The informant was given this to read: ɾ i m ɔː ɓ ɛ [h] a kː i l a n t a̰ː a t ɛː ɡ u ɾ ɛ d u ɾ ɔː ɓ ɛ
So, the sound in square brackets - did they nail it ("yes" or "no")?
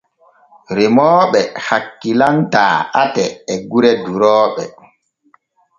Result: yes